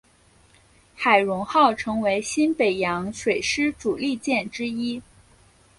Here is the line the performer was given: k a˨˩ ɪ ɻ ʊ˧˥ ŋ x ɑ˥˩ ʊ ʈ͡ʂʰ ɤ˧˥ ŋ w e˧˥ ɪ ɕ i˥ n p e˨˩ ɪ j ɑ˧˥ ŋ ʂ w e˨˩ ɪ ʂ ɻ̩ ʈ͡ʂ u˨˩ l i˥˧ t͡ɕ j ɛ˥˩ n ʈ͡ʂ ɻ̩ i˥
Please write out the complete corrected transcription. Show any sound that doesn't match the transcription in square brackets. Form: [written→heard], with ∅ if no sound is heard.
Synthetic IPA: [k→x] a˨˩ ɪ ɻ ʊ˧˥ ŋ x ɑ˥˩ ʊ ʈ͡ʂʰ ɤ˧˥ ŋ w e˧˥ ɪ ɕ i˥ n p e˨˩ ɪ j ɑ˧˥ ŋ ʂ w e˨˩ ɪ ʂ ɻ̩ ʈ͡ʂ u˨˩ l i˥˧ t͡ɕ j ɛ˥˩ n ʈ͡ʂ ɻ̩ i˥